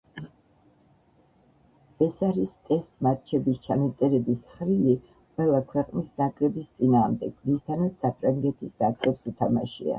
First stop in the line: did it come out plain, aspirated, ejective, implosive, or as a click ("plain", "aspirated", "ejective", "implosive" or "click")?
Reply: ejective